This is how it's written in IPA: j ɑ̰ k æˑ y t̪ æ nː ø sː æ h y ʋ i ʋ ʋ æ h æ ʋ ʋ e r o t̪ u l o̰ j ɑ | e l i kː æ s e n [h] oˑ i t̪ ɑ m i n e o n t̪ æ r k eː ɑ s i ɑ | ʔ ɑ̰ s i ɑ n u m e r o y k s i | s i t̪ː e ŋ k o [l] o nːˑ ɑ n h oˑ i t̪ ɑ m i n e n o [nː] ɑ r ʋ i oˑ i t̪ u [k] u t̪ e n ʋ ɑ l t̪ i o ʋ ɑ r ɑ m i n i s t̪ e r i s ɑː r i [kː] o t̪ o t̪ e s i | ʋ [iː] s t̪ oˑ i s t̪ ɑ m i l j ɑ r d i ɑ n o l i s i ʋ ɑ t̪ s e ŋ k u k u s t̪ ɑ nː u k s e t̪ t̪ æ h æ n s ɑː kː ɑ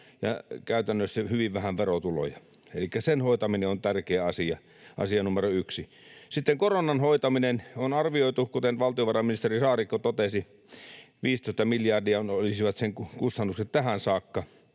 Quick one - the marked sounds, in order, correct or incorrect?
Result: correct, incorrect, incorrect, correct, correct, correct

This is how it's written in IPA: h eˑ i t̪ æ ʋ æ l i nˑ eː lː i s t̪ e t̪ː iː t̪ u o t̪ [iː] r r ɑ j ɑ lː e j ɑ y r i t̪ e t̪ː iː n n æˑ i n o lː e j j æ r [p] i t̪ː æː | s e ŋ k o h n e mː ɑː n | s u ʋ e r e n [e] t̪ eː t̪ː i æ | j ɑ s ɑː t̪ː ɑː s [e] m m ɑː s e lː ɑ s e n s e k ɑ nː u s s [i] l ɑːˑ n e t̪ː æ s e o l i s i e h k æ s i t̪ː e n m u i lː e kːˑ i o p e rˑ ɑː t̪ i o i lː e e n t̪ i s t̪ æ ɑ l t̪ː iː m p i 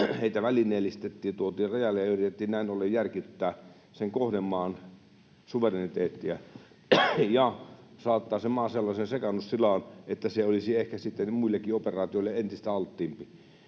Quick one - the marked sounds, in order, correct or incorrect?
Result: correct, incorrect, incorrect, correct, correct

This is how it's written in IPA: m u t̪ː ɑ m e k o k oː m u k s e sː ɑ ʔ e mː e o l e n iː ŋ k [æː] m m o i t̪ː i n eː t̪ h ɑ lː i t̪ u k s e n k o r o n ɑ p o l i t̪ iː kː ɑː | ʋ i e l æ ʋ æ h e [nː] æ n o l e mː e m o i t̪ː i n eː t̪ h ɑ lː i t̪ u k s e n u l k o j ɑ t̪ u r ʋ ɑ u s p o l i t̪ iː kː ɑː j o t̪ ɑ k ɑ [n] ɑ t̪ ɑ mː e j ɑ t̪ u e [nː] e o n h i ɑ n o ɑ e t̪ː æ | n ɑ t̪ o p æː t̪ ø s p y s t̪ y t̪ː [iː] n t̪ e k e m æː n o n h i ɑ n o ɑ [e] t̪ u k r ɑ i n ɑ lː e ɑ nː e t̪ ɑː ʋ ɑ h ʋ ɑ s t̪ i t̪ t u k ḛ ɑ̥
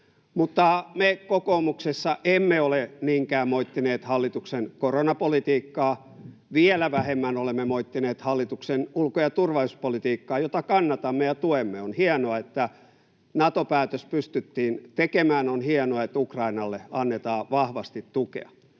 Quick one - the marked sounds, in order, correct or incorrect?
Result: correct, incorrect, incorrect, incorrect, correct, correct

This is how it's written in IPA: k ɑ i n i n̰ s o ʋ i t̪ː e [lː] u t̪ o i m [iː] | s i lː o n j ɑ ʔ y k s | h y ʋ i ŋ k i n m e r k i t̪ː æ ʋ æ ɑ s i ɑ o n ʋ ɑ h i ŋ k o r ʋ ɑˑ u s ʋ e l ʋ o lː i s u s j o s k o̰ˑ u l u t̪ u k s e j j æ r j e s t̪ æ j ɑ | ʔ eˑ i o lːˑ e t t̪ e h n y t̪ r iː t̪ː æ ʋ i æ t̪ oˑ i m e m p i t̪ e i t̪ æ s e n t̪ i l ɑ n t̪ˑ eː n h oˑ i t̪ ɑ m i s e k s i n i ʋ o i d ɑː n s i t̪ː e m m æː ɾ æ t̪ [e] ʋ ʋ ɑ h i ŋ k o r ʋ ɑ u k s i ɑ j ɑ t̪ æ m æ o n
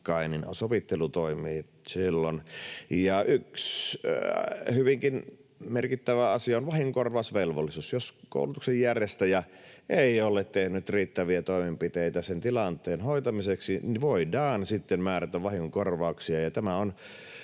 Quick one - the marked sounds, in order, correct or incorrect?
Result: incorrect, correct, incorrect

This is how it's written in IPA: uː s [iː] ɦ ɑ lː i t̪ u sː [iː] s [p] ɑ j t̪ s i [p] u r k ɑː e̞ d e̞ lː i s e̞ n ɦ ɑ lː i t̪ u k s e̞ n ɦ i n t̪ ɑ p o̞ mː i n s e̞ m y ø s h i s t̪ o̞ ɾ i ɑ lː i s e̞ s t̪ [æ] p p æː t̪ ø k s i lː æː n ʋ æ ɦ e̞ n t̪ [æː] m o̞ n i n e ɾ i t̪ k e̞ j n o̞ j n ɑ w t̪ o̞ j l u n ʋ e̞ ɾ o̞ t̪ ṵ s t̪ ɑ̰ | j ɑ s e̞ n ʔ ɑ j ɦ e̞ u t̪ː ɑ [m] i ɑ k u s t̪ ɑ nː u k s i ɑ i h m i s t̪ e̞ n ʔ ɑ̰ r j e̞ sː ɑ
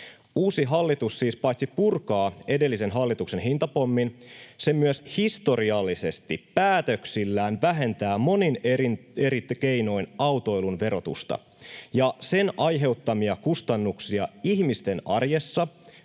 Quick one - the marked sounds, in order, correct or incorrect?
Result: incorrect, correct, correct, correct, incorrect, correct, correct

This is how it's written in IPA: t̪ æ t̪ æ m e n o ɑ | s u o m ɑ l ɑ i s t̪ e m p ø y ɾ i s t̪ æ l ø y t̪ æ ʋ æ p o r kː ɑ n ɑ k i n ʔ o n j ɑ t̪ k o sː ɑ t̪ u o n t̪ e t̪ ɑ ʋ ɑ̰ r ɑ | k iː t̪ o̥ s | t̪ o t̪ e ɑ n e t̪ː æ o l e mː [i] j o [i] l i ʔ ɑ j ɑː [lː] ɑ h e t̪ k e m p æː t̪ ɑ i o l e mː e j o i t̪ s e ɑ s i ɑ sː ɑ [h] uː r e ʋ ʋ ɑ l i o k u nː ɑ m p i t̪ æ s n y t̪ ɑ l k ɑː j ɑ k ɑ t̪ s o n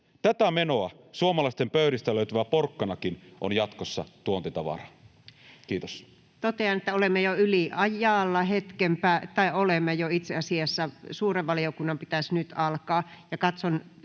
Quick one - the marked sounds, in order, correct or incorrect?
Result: incorrect, incorrect, correct, incorrect

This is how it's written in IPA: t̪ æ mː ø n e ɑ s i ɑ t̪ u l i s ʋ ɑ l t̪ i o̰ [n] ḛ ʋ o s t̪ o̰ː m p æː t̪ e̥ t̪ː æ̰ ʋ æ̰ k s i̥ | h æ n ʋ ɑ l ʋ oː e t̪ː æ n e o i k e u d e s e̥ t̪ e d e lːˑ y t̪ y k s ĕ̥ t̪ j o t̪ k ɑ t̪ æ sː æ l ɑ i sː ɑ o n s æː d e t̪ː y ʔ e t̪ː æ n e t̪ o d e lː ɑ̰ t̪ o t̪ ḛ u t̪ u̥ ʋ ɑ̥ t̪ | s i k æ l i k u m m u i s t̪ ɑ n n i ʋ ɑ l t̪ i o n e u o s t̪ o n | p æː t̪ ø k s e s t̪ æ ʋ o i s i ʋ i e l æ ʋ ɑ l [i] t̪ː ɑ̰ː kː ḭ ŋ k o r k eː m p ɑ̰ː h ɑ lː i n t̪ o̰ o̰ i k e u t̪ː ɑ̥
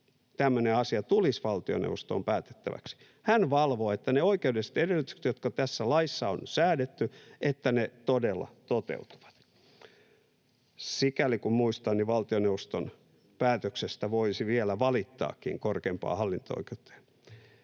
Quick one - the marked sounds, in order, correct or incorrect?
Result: correct, correct

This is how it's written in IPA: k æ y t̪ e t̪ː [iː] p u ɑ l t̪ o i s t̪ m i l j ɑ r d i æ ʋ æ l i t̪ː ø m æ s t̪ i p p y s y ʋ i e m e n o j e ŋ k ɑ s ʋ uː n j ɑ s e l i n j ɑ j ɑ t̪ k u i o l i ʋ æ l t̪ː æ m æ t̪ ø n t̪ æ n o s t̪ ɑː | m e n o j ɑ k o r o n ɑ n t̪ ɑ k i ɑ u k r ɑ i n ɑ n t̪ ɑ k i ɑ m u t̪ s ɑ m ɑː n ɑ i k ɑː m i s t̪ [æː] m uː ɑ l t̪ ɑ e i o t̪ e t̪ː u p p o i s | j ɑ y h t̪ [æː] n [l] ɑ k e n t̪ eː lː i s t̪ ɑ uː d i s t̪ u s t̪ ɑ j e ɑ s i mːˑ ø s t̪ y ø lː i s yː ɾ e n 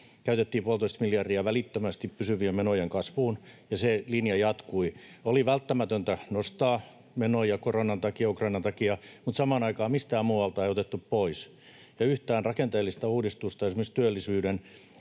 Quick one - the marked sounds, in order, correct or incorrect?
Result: correct, correct, correct, incorrect

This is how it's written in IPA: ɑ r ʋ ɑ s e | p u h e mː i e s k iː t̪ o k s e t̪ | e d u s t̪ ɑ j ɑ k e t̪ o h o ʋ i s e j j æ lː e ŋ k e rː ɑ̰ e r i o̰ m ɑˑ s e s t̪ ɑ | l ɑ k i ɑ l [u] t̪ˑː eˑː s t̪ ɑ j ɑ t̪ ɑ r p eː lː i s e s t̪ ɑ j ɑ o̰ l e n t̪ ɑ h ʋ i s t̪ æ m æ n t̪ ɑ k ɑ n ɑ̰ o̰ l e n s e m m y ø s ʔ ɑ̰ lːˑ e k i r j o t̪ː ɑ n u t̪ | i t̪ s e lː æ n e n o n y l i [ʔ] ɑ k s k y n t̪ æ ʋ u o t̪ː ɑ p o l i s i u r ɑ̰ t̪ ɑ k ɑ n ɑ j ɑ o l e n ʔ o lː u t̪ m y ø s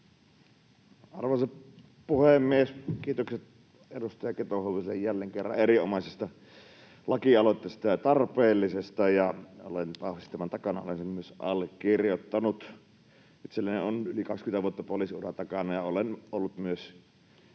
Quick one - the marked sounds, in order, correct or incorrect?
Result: incorrect, incorrect

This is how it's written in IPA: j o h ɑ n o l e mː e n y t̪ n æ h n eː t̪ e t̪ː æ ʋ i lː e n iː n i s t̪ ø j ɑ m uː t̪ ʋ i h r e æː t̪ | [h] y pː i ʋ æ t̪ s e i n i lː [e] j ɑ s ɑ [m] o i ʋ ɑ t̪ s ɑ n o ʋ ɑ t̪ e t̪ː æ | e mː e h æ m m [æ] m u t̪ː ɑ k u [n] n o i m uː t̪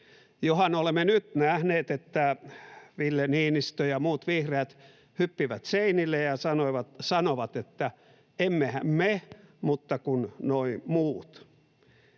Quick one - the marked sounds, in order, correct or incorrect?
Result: correct, correct, incorrect, incorrect, correct

